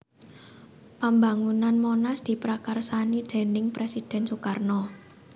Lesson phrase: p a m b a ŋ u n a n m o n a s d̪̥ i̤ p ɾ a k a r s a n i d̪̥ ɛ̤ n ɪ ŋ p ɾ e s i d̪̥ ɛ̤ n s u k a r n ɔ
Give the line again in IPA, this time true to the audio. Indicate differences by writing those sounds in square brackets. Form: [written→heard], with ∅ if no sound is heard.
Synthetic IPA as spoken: p a m b a ŋ u n a n m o n a s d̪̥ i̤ p ɾ a k a r s a n i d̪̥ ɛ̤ n ɪ ŋ p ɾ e s i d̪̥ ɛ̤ n s u k a r n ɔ